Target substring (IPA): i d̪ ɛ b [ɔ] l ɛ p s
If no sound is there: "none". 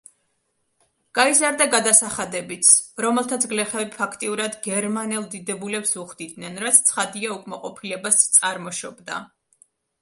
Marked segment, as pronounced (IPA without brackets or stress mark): u